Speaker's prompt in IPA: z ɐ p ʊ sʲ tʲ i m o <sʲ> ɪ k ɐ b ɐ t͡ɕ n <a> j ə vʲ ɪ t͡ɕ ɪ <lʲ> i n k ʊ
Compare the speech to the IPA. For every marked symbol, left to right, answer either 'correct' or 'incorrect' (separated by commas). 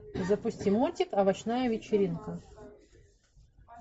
incorrect, correct, incorrect